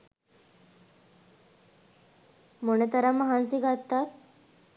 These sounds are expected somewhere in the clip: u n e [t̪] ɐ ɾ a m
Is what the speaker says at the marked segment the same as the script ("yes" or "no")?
yes